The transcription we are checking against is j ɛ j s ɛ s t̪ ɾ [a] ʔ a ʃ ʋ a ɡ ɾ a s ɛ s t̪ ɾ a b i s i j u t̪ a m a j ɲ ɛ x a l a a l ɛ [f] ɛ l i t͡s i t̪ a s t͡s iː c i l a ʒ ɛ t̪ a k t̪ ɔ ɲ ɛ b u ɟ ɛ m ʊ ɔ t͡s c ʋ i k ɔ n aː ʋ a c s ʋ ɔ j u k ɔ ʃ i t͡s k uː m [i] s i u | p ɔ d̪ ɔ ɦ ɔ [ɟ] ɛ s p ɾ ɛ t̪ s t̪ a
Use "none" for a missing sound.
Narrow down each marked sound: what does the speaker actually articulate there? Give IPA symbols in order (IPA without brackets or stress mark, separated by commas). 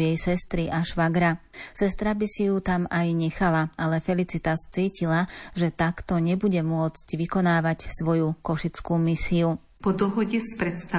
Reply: i, f, i, ɟ